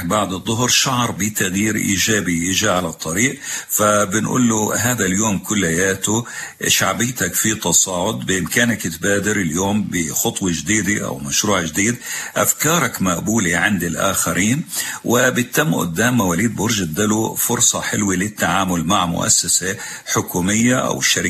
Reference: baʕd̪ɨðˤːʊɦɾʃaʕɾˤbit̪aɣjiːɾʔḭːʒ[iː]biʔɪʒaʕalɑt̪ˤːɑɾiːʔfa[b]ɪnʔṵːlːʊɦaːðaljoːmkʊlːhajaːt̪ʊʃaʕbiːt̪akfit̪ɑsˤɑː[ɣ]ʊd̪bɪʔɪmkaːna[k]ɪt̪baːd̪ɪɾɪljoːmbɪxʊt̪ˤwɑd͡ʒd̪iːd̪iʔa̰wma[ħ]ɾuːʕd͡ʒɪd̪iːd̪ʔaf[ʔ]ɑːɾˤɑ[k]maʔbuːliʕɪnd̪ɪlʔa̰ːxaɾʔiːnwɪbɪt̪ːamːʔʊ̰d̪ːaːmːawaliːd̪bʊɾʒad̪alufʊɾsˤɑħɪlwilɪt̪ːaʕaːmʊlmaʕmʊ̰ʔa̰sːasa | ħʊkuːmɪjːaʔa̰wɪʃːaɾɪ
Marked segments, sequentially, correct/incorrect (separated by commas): incorrect, correct, incorrect, correct, incorrect, incorrect, correct